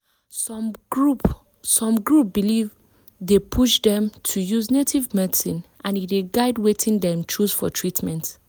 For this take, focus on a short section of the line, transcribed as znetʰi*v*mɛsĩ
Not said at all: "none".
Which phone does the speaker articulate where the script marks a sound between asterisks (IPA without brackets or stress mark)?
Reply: v